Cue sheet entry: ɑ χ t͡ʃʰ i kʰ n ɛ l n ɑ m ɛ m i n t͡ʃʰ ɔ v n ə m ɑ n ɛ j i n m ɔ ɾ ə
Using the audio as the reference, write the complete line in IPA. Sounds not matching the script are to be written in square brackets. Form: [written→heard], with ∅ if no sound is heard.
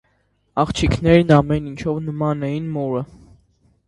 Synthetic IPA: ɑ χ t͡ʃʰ i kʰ n ɛ [l→ɾ] n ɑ m ɛ [m→n] i n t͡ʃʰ ɔ v n ə m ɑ n ɛ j i n m ɔ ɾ ə